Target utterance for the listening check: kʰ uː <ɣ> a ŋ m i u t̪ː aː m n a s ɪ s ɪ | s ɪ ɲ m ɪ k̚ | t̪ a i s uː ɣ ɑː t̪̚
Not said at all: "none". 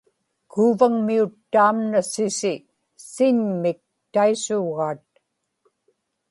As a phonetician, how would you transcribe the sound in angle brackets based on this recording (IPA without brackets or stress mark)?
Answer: v